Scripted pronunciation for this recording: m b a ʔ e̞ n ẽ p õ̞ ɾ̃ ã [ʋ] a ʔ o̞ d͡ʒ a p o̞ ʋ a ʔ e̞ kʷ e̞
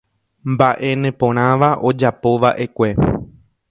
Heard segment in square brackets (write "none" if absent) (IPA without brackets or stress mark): ʋ